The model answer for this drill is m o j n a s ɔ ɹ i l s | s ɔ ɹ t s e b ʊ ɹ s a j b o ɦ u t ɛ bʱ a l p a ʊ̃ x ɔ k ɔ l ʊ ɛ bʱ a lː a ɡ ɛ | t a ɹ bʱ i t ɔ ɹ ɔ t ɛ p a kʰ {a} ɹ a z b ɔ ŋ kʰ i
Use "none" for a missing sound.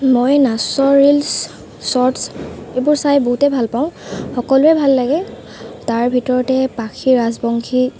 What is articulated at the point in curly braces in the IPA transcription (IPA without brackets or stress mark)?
i